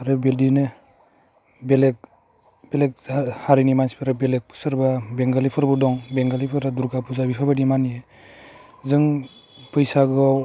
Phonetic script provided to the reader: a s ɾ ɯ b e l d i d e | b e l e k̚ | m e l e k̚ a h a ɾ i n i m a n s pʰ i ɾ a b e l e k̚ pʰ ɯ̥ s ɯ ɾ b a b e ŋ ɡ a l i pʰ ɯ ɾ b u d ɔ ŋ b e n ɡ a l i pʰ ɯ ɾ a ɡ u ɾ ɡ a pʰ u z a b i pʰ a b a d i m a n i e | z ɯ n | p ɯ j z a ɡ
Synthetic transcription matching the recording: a ɾ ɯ b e l d i n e | b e l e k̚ | b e l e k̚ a h a ɾ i n i m a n s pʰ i ɾ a b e l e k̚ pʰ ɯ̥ s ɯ ɾ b a b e ŋ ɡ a l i pʰ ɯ ɾ b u d ɔ ŋ b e ŋ ɡ a l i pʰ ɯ ɾ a d u ɾ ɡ a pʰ u z a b i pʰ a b a d i m a n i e | z ɯ ŋ | p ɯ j s a ɡ